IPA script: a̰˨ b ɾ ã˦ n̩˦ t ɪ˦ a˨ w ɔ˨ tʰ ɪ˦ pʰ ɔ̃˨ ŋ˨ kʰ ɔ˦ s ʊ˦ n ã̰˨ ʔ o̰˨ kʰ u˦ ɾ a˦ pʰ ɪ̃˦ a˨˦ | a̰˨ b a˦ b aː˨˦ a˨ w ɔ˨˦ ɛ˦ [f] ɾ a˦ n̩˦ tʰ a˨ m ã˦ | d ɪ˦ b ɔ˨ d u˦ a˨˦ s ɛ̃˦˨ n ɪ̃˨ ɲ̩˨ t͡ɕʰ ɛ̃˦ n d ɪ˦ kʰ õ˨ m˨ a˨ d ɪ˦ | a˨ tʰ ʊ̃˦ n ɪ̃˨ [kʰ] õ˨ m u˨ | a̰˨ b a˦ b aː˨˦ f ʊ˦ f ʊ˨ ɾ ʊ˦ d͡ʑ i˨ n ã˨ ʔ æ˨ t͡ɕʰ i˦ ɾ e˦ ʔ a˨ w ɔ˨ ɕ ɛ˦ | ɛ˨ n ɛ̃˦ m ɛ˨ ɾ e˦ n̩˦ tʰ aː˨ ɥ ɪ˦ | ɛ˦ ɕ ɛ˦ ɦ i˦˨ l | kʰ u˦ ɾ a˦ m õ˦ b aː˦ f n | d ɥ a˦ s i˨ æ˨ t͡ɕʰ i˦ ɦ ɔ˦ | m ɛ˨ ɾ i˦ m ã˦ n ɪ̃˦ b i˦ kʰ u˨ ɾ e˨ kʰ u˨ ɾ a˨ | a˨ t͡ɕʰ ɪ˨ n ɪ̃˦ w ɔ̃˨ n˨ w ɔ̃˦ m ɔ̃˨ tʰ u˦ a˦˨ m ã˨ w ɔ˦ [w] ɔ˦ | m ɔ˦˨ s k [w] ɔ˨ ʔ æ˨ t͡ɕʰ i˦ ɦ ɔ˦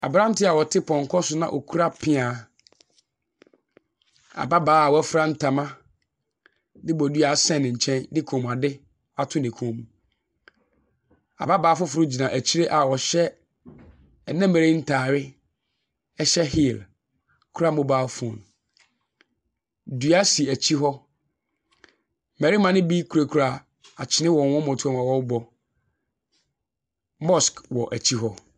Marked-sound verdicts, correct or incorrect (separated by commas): correct, correct, incorrect, correct